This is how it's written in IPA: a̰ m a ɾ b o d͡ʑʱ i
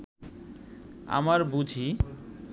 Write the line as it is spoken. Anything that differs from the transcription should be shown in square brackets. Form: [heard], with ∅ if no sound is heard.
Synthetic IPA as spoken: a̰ m a ɾ b [u] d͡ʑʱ i

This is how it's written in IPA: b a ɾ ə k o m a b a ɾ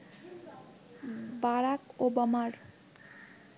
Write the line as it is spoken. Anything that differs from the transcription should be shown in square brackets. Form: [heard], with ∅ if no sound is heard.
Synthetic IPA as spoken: b a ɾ [a] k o [b] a [m] a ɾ

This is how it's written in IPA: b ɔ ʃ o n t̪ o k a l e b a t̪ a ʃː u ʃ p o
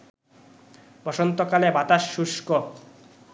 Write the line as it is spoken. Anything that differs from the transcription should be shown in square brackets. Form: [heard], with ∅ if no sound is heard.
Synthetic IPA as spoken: b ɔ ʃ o n t̪ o k a l e b a t̪ a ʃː u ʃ [k] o

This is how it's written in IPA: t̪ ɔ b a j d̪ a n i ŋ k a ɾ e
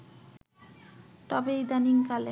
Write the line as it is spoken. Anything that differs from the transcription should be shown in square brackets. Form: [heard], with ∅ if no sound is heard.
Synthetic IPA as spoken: t̪ ɔ b [e] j d̪ a n i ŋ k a [l] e

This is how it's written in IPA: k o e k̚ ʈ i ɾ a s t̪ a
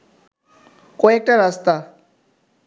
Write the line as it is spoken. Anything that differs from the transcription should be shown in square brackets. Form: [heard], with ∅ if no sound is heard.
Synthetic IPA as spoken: k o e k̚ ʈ [a] ɾ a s t̪ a

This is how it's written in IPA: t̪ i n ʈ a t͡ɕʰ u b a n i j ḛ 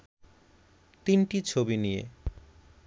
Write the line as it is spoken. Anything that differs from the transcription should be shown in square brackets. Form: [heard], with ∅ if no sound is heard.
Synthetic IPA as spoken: t̪ i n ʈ [i] t͡ɕʰ [o] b [i] n i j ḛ

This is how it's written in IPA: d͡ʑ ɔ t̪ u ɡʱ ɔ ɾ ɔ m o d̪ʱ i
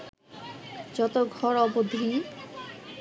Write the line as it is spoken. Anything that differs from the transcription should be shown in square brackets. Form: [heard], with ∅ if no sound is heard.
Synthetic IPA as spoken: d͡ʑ ɔ t̪ [o] ɡʱ ɔ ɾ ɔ [b] o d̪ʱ i

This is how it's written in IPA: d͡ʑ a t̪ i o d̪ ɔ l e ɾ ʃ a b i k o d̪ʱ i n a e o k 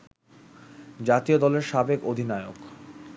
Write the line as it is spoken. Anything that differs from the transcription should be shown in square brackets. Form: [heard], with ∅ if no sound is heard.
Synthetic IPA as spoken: d͡ʑ a t̪ i o d̪ ɔ l e ɾ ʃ a b [e] k o d̪ʱ i n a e o k

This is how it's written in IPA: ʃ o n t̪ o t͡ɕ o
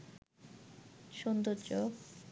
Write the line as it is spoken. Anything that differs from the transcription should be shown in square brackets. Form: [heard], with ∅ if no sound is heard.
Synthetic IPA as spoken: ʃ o n [d̪] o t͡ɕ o

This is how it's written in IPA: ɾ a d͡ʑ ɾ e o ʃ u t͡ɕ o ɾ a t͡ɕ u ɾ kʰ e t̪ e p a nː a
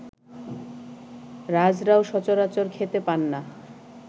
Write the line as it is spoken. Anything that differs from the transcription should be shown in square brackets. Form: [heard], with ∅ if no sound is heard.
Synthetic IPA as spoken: ɾ a d͡ʑ ɾ [a] o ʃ [ɔ] t͡ɕ o ɾ a t͡ɕ [o] ɾ kʰ e t̪ e p a nː a

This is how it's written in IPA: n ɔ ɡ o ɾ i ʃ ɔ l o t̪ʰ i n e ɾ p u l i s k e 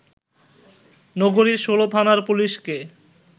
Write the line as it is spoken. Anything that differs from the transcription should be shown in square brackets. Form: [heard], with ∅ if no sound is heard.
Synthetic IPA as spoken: n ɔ ɡ o ɾ i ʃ [o] l o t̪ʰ [a] n [a] ɾ p u l i [ʃ] k e

